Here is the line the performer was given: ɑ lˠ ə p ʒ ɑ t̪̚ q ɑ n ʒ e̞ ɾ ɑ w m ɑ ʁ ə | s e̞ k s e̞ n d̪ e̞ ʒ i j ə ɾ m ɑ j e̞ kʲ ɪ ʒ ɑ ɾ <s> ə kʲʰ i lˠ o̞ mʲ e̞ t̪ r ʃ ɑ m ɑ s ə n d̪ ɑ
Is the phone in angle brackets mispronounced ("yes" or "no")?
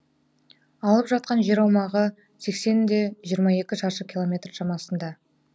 yes